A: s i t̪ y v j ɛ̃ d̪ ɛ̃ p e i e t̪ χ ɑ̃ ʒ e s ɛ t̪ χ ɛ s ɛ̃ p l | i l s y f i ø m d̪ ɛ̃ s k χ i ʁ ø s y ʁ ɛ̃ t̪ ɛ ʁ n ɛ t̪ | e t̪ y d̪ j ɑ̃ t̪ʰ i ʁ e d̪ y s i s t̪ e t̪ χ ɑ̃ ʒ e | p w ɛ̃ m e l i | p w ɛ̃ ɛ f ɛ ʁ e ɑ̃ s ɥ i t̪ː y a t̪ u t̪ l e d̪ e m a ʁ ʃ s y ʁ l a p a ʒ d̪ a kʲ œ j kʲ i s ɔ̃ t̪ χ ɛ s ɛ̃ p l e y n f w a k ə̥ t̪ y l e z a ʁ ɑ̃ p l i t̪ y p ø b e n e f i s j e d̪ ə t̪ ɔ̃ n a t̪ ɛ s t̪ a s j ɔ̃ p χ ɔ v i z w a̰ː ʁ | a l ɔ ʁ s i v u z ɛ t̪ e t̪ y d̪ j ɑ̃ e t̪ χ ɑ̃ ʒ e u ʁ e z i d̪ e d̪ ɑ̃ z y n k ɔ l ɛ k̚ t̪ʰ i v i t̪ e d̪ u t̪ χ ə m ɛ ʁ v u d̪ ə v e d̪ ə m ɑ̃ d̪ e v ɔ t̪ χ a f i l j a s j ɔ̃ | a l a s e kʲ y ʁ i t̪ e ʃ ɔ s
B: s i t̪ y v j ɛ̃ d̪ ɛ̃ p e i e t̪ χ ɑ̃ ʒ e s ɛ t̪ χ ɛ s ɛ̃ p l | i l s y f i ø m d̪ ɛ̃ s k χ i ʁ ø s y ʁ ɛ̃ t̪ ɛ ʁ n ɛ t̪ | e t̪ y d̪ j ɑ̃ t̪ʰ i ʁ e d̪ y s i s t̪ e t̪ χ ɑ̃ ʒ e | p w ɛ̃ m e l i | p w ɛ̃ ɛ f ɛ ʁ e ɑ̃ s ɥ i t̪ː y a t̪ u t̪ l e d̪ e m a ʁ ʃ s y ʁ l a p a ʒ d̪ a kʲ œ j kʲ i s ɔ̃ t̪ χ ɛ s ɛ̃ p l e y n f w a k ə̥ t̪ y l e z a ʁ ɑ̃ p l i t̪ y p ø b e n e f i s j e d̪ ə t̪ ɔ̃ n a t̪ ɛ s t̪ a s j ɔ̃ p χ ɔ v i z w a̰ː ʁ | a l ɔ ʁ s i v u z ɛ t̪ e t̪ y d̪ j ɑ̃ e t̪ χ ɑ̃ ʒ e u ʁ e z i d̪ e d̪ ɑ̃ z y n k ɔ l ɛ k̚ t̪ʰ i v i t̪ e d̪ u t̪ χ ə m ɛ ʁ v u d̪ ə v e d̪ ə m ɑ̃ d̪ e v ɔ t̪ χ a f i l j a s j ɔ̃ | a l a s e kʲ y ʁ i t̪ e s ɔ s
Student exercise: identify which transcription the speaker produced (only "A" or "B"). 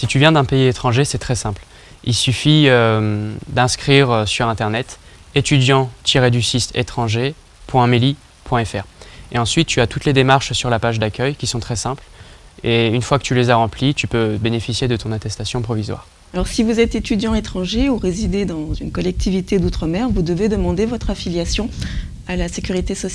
B